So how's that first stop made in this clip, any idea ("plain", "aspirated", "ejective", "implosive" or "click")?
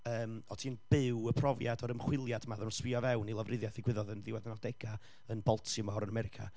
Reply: aspirated